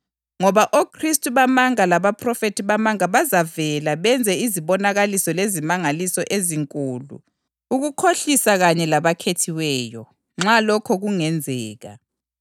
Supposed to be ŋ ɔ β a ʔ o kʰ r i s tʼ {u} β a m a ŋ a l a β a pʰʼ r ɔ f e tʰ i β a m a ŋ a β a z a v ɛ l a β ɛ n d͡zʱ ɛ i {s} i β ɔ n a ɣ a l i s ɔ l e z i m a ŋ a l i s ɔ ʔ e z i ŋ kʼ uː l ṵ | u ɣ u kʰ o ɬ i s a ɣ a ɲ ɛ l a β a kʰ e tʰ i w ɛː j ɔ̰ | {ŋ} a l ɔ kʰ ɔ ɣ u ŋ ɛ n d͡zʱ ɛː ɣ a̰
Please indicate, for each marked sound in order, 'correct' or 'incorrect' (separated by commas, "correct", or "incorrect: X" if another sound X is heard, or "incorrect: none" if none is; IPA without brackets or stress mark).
correct, incorrect: z, incorrect: ŋ͡ǁ